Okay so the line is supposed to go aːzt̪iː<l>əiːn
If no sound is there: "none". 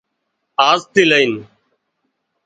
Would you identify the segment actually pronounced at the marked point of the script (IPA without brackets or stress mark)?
l